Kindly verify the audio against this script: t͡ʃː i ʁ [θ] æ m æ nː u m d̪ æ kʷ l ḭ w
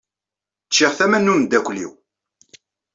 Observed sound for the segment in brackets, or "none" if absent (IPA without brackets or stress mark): θ